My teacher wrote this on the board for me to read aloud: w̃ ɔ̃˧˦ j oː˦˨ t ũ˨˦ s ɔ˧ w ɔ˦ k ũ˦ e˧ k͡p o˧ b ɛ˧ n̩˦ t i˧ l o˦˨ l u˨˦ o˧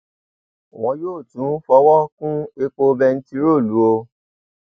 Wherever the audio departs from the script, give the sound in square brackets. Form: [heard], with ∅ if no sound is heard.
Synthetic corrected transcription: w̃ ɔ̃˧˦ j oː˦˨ t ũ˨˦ [f] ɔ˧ w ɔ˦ k ũ˦ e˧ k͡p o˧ b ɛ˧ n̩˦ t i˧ [ɾ] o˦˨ l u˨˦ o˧